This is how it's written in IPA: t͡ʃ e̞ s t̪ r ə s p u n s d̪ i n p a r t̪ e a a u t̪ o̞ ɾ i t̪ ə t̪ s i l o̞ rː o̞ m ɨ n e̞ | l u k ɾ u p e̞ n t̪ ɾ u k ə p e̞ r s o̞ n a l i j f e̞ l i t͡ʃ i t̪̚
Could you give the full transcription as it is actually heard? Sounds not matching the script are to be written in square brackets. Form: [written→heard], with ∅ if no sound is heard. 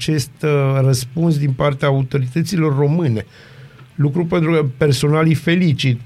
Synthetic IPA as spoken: t͡ʃ e̞ s t̪ r ə s p u n s d̪ i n p a r t̪ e a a u t̪ o̞ ɾ i t̪ ə t̪ s i l o̞ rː o̞ m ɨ n e̞ | l u k ɾ u p e̞ n t̪ ɾ u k ə p e̞ r s o̞ n a l i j f e̞ l i t͡ʃ i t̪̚